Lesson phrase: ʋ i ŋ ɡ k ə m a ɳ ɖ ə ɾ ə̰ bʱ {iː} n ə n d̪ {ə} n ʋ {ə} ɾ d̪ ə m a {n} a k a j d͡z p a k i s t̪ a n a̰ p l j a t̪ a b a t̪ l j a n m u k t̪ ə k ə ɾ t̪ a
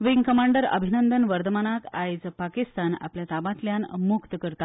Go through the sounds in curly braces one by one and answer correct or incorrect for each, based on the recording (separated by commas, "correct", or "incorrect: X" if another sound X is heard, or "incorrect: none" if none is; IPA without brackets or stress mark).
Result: incorrect: i, correct, correct, correct